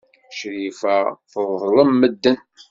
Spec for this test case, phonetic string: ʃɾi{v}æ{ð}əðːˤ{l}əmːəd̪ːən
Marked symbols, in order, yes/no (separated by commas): no, no, yes